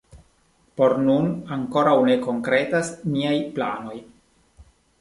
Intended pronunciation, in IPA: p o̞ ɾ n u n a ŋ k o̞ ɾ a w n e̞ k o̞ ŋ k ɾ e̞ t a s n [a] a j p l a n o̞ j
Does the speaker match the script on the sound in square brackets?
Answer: no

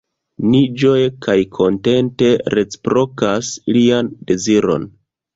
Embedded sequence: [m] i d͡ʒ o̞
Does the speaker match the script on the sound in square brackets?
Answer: no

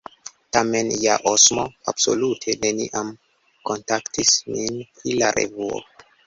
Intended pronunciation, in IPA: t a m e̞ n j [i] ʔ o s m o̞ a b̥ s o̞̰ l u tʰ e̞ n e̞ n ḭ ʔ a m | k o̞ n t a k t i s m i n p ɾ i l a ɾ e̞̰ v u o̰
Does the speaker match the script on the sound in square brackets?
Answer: no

